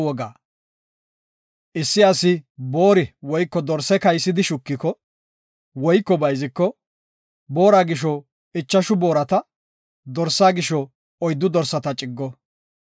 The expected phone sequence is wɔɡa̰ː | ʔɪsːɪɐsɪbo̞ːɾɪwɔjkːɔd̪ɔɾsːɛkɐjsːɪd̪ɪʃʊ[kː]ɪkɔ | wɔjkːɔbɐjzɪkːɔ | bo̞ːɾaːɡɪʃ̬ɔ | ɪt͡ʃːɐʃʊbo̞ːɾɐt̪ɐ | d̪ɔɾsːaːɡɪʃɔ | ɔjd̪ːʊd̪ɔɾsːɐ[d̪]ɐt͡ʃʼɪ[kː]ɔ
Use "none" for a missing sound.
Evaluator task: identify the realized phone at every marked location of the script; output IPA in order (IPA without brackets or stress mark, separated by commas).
kː, t̪, ɡː